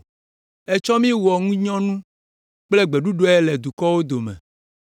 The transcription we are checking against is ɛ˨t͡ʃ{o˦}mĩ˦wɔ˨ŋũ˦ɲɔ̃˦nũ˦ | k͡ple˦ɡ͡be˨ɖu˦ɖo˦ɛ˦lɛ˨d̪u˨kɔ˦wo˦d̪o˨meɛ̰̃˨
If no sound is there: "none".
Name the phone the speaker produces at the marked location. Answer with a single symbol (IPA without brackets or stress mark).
ɔ˦